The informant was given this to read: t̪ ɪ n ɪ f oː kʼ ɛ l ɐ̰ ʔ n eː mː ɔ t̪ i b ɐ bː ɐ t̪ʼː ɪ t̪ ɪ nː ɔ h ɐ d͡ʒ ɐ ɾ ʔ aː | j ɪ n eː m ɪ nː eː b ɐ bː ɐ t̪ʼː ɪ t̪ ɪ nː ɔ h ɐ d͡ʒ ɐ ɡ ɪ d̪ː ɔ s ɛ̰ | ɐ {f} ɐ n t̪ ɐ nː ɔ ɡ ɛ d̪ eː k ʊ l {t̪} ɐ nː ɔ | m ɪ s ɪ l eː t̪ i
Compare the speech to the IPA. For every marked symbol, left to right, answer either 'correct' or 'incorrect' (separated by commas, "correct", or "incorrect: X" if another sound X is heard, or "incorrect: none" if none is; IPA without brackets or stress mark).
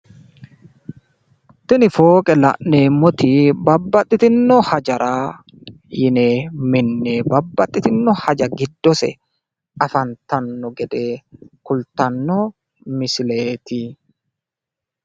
correct, correct